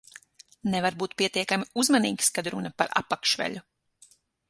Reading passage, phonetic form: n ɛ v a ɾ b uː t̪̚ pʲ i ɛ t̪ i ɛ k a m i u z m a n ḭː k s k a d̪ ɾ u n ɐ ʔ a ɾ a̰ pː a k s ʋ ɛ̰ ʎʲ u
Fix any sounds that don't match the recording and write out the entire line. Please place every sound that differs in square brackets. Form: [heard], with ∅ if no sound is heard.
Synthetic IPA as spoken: n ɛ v a ɾ b uː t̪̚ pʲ i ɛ t̪ i ɛ k a m i u z m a n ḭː k s k a d̪ ɾ u n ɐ [p] a ɾ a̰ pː a k [ʃ] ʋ ɛ̰ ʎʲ u